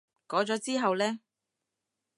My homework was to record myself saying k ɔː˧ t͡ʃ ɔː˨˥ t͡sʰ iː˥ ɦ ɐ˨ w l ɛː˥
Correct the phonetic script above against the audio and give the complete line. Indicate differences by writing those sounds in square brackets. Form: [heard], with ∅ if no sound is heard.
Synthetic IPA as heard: k [ɔː˨˥] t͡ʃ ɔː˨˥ [t͡s] iː˥ ɦ ɐ˨ w l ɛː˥